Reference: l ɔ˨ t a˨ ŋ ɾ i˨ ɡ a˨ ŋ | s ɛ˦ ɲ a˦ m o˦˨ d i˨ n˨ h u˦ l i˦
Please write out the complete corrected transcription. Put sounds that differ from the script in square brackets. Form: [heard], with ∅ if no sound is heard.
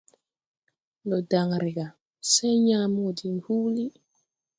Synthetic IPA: l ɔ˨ [d] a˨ ŋ ɾ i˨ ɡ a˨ [∅] | s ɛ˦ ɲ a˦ m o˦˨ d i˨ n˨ h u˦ l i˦